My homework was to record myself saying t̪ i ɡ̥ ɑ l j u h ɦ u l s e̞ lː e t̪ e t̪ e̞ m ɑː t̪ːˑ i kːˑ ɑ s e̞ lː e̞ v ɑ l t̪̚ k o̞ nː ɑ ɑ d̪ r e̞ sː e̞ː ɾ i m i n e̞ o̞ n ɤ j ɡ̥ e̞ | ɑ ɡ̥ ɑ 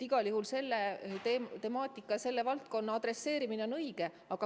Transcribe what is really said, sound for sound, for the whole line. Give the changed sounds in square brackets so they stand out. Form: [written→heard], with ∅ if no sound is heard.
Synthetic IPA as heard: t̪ i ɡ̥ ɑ l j u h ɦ u l s e̞ lː e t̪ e t̪ e̞ m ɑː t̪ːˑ i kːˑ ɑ s e̞ lː e̞ v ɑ l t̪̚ k o̞ nː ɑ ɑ d̪ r e̞ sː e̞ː ɾ i m i n e̞ o̞ n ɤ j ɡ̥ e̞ | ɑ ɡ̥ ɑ